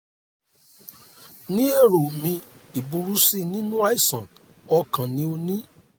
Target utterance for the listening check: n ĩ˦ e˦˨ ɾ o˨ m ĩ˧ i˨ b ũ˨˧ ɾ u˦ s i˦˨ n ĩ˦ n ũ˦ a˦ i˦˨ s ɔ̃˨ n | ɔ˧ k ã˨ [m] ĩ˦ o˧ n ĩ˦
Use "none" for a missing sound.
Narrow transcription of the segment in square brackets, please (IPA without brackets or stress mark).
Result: n